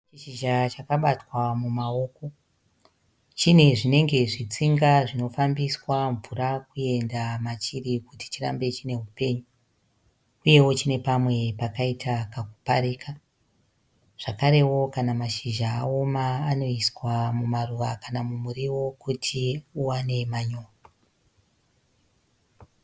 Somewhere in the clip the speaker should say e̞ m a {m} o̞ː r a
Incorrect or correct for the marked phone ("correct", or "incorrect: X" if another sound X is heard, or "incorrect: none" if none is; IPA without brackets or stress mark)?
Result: incorrect: ɲ